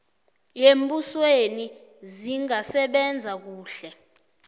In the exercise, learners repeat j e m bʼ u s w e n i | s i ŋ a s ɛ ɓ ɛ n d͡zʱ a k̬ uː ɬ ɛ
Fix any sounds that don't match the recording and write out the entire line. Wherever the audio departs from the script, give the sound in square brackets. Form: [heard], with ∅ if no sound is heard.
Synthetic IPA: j e m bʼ u s w e n i | [z] i ŋ a s ɛ ɓ ɛ n d͡zʱ a k̬ uː ɬ ɛ